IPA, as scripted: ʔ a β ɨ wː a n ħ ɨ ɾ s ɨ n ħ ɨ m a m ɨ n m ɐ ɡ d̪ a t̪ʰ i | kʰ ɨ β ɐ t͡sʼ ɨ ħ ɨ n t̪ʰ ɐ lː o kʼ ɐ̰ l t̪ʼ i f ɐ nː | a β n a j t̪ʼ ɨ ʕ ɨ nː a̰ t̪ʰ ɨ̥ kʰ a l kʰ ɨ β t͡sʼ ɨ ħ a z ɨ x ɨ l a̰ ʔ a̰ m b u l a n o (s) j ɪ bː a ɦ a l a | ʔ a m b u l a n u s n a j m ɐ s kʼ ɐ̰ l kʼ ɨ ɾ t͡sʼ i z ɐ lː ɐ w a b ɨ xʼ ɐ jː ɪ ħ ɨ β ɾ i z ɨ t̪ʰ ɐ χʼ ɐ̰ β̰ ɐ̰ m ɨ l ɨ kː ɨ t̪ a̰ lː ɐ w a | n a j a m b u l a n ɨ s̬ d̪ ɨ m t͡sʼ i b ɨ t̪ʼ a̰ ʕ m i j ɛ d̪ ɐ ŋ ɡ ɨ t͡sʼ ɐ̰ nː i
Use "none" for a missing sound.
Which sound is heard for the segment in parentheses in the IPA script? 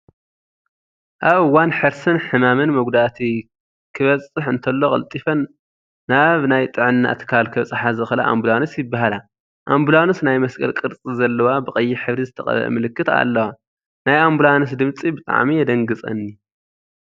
s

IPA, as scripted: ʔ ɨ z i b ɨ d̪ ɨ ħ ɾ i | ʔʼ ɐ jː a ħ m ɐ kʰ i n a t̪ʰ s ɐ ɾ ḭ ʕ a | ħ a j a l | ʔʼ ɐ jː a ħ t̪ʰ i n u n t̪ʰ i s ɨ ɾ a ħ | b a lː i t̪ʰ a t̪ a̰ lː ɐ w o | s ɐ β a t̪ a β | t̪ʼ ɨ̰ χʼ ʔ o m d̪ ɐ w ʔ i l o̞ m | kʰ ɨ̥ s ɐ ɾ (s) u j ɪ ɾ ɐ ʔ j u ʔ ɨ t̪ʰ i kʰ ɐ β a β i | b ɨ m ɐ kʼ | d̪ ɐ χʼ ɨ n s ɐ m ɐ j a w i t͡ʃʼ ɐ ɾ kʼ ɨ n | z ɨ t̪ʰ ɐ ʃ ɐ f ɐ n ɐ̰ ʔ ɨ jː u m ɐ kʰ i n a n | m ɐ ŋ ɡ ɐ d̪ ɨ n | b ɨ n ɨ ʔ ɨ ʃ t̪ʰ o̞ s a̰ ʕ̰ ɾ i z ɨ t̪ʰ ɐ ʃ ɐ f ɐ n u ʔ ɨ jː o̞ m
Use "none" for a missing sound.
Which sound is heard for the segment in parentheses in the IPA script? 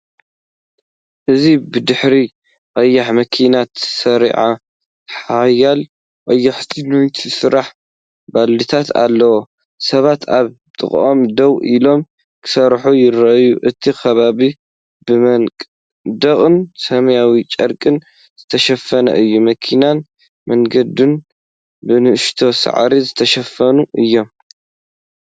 ħ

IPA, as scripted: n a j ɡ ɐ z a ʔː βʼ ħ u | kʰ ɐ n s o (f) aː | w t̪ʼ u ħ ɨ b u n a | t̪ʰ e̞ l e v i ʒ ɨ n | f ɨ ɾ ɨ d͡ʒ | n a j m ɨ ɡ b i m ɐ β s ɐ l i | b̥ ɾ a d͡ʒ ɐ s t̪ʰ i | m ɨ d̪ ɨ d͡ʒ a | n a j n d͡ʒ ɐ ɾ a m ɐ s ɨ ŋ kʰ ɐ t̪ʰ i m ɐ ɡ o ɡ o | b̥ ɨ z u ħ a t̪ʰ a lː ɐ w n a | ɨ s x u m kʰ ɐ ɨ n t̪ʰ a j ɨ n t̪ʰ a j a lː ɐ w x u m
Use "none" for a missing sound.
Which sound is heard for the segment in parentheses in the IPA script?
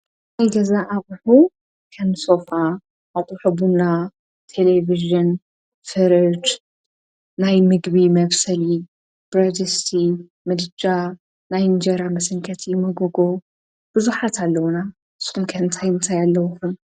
f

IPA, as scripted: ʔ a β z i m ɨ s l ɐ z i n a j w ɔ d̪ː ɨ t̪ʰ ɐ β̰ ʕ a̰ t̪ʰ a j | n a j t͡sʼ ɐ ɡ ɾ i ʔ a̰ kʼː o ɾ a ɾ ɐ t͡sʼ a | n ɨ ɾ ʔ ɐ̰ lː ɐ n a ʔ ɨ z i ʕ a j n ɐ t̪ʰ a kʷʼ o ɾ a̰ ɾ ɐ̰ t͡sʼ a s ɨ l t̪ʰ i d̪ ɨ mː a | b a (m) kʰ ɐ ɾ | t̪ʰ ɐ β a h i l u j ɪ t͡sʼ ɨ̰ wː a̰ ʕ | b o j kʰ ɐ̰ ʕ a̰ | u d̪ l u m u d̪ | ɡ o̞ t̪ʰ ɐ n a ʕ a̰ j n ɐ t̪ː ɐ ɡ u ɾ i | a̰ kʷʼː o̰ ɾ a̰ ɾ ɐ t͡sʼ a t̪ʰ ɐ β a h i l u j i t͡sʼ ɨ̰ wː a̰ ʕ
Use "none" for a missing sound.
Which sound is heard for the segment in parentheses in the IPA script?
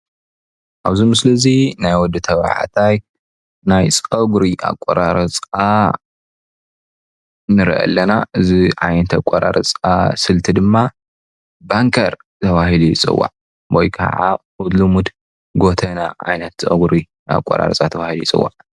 ŋ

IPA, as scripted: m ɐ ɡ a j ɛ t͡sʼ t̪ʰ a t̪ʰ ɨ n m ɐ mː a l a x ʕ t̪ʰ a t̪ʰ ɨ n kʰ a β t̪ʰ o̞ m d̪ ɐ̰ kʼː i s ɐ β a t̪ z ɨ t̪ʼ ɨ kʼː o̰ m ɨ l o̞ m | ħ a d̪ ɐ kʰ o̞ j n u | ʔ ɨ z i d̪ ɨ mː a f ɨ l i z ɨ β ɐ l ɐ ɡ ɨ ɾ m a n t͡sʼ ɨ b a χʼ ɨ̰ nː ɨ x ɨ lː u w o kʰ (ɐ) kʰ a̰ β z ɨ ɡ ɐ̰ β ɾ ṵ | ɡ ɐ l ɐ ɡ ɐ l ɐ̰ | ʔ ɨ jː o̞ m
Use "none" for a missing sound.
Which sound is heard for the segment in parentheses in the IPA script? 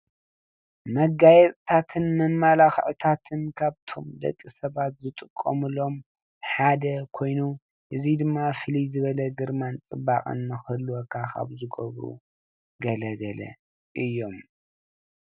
a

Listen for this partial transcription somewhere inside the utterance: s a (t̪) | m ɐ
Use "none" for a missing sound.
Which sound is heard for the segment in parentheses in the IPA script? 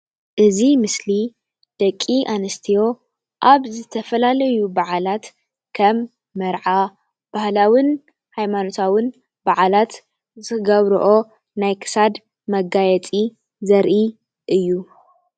d̪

